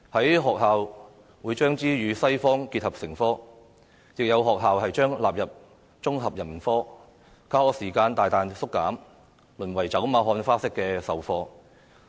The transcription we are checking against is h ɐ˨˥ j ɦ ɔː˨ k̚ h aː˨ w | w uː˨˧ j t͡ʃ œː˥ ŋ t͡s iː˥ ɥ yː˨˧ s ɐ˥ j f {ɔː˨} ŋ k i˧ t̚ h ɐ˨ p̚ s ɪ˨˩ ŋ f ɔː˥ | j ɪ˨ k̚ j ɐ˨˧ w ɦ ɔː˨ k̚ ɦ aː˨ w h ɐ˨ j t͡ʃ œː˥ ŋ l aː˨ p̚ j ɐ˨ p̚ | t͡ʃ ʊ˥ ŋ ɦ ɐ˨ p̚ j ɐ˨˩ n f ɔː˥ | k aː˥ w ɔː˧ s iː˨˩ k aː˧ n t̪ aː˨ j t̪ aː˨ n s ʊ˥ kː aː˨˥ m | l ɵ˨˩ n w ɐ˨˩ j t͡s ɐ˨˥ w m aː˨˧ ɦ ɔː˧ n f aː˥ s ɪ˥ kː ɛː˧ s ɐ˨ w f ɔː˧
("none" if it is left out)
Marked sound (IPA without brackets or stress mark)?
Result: ɔː˥